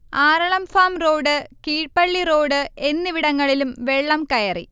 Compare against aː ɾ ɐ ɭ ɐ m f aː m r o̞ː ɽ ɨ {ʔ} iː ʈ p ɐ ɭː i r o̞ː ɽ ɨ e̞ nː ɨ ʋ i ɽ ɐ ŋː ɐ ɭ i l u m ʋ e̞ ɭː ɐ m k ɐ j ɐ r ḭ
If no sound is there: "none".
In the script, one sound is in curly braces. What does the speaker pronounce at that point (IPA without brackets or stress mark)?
k